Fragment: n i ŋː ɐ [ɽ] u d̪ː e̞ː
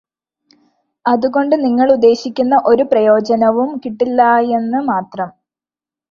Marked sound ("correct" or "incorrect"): incorrect